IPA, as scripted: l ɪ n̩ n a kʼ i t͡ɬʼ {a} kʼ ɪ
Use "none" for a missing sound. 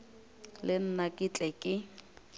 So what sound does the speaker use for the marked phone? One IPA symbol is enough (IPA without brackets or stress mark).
ɛ